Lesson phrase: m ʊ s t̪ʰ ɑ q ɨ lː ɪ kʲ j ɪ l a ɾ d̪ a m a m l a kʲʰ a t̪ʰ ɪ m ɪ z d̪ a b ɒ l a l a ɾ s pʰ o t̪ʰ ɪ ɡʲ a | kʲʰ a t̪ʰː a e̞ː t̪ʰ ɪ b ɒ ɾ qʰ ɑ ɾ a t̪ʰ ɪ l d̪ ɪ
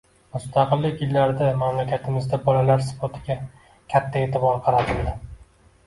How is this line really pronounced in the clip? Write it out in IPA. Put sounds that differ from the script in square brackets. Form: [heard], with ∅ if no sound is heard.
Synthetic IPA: m ʊ s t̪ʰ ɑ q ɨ lː ɪ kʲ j ɪ [lː] a ɾ d̪ a m a m l a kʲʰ a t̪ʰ ɪ m ɪ z d̪ a b ɒ l a l a ɾ s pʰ o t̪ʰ ɪ ɡʲ a | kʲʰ a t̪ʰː a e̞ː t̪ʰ ɪ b ɒ ɾ qʰ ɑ ɾ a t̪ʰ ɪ l d̪ ɪ